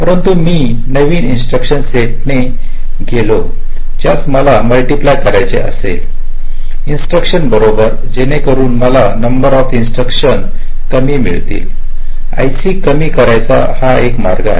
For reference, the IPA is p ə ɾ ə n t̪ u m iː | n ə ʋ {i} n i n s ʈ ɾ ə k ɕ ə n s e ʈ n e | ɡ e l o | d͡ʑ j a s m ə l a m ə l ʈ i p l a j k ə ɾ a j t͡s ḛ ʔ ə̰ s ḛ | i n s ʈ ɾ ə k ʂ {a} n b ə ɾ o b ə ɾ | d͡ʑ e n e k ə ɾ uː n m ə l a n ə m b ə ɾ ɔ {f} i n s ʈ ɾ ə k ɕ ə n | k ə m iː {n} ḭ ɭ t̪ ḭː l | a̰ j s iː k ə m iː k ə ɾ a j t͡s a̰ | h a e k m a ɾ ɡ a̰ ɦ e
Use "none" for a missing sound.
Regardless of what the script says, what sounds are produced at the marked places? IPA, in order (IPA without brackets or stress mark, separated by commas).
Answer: iː, ə, f, m